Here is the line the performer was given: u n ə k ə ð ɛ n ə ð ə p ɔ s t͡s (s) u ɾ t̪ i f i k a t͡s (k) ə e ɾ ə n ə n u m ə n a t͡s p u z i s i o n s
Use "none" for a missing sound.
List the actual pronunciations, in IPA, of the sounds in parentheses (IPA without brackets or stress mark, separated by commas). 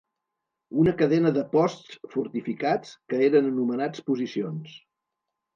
f, k